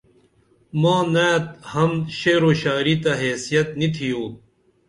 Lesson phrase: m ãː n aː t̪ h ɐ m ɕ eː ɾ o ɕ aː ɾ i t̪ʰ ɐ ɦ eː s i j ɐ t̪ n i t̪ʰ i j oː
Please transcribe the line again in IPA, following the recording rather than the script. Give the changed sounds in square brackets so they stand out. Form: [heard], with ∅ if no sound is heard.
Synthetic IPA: m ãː n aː t̪ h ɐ m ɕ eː ɾ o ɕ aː ɾ i [t̪] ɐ ɦ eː s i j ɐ t̪ n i t̪ʰ i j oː